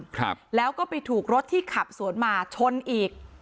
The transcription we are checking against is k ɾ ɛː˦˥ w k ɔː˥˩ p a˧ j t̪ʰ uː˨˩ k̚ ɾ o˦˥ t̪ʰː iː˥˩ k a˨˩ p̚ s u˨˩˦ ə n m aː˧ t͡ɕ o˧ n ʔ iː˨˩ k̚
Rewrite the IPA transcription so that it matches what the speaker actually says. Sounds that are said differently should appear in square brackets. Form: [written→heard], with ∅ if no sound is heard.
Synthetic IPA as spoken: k [ɾ→l] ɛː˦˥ w k ɔː˥˩ p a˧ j t̪ʰ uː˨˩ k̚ ɾ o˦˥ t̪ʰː iː˥˩ [k→kʰ] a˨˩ p̚ s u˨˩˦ ə n m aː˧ [t͡ɕ→t͡ɕʰ] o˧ n ʔ iː˨˩ k̚